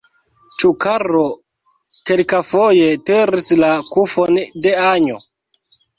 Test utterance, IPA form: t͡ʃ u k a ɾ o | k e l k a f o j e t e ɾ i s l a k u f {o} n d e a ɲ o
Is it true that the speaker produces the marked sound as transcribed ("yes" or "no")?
yes